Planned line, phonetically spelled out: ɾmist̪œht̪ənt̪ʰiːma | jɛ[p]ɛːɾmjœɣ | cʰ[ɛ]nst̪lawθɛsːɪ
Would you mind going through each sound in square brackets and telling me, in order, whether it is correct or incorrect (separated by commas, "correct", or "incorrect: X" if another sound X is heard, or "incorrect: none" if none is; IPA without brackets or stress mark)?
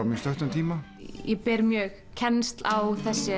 correct, correct